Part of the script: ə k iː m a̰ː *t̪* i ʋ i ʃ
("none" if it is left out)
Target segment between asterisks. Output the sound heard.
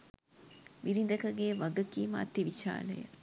t̪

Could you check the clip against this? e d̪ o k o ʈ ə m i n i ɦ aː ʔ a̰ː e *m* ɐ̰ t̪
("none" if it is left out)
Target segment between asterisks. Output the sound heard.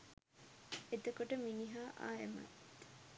m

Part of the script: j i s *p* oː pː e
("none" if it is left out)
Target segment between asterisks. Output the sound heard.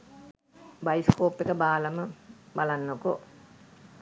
k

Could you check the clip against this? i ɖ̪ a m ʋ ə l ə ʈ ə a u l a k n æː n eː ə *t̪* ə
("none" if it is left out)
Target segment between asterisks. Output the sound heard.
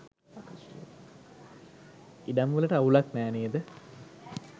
d̪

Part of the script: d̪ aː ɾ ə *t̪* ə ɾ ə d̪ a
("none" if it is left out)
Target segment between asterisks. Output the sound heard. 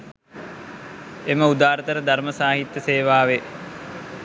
t̪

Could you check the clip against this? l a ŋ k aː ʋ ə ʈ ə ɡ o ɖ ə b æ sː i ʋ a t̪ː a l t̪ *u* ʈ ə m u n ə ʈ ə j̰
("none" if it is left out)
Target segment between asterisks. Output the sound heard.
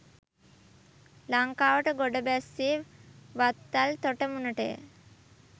o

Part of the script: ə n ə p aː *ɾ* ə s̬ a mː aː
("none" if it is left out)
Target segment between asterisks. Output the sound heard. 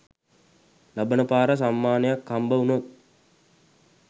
ɾ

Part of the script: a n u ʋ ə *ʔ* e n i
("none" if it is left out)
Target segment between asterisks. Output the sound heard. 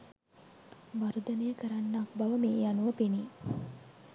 p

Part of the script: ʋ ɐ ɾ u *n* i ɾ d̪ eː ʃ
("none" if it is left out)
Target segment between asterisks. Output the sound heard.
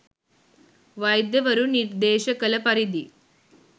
n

